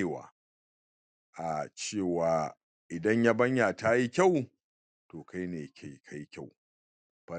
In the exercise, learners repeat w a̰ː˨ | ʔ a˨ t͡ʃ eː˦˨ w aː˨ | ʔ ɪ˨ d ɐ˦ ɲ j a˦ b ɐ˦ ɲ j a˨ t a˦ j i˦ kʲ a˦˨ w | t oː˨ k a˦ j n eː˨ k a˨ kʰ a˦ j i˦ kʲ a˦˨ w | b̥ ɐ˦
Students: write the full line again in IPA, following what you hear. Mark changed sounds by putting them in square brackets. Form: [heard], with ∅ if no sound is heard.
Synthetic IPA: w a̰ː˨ | ʔ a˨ t͡ʃ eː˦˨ w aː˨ | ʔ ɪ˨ d ɐ˦ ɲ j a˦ b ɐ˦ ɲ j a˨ t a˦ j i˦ kʲ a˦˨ w | t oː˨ k a˦ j n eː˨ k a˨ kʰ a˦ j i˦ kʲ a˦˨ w | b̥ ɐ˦